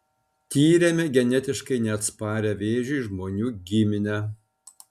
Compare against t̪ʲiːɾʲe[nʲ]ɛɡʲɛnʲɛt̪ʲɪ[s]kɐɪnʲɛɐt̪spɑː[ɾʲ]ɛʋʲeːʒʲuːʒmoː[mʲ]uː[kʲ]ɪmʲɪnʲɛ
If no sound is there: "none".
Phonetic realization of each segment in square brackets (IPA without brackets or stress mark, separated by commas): mʲ, ʃ, ɾʲ, nʲ, ɡʲ